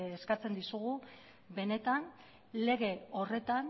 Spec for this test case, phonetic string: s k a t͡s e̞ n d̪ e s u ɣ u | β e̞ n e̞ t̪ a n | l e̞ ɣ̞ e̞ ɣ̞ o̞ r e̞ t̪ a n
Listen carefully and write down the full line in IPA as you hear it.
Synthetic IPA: s k a t͡s e̞ n d̪ i s u ɣ u | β e̞ n e̞ t̪ a n | l e̞ ɣ̞ e̞ o̞ r e̞ t̪ a n